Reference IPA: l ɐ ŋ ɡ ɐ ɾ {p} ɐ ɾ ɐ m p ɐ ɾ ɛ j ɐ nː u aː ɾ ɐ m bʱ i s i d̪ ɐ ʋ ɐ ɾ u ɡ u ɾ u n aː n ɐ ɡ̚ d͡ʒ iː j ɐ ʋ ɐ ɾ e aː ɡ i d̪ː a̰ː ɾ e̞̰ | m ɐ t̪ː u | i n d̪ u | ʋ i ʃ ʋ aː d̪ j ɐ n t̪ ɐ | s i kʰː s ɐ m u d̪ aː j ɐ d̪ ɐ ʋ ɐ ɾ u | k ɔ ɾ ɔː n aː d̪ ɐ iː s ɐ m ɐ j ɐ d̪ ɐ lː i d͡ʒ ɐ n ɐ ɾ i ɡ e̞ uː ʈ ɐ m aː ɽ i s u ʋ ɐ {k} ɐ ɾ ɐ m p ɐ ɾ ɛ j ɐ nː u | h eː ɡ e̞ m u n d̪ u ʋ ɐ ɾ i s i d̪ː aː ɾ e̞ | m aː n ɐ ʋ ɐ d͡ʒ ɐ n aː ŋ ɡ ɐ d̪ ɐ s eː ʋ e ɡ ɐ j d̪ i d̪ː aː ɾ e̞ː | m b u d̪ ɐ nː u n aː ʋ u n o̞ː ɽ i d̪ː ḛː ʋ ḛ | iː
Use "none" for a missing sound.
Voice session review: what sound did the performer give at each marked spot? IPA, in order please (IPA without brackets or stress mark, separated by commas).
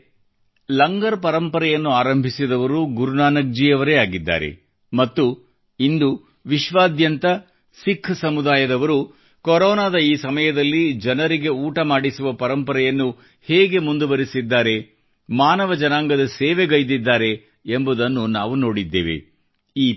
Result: p, p